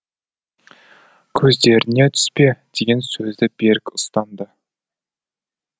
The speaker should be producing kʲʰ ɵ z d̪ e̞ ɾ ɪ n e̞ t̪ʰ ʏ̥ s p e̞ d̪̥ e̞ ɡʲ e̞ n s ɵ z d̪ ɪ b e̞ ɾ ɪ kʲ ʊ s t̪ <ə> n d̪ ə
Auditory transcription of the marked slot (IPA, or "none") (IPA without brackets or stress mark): ɑ